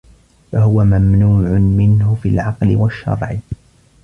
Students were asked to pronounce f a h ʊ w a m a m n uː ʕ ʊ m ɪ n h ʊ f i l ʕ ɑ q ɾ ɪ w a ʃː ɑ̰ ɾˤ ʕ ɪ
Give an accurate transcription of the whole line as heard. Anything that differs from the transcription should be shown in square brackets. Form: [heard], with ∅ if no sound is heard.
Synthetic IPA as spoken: f a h ʊ w a m a m n uː ʕ ʊ m ɪ n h ʊ f i l ʕ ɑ q [l] ɪ w a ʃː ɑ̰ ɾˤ ʕ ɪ